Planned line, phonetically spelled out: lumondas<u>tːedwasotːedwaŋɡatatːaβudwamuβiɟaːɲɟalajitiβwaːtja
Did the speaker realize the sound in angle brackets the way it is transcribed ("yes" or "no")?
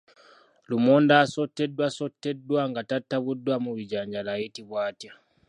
no